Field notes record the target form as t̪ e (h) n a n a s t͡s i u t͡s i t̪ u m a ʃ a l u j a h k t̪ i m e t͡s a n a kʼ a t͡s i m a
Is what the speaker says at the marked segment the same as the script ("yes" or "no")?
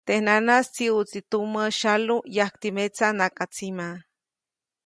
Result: yes